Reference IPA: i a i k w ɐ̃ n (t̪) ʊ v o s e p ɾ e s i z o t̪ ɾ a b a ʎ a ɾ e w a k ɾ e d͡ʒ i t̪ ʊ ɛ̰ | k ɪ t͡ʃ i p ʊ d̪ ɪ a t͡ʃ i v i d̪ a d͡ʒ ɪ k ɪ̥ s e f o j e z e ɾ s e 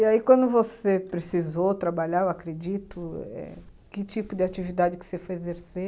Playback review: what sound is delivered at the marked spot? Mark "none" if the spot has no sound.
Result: d̪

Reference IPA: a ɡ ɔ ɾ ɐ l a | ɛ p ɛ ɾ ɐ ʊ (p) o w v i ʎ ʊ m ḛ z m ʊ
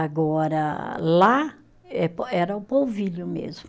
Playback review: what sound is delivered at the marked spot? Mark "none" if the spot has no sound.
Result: p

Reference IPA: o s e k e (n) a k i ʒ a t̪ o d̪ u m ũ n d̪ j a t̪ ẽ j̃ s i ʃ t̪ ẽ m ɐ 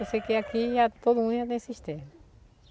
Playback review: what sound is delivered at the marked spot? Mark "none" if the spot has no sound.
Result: none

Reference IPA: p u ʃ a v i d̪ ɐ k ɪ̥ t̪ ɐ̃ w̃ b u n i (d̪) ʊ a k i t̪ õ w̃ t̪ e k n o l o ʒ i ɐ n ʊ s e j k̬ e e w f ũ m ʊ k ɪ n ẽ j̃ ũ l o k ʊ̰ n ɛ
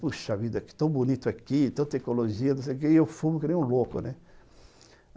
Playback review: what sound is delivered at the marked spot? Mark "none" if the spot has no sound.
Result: t̪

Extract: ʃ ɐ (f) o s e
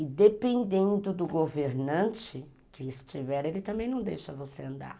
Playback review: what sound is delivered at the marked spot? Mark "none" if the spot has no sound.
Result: v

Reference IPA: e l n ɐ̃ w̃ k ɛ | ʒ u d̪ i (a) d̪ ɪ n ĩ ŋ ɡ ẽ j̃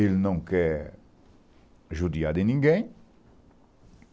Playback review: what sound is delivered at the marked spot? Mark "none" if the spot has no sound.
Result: a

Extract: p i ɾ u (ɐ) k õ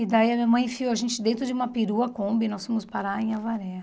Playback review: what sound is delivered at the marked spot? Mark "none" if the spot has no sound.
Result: ɐ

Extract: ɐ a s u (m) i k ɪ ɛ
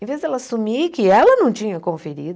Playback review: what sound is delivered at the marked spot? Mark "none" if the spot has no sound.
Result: m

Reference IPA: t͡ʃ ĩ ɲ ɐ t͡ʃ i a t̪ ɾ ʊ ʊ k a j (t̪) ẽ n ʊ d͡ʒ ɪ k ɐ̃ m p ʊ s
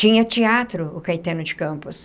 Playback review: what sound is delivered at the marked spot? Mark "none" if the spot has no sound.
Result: t̪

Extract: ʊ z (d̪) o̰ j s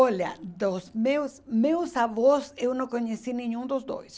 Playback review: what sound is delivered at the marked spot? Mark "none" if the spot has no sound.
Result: d̪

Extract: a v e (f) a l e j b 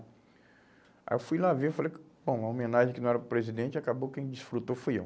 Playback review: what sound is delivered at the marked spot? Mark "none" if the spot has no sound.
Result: f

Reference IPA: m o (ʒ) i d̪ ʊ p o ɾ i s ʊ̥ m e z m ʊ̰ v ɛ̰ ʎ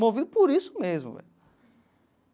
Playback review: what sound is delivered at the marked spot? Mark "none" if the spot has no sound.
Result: v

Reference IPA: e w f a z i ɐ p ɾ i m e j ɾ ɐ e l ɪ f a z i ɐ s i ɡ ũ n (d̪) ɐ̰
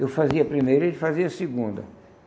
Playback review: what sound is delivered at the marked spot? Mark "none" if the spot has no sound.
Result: d̪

